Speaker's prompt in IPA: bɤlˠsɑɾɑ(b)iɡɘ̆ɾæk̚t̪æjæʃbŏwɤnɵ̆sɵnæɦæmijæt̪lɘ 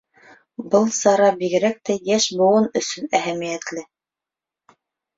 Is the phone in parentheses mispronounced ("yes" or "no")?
no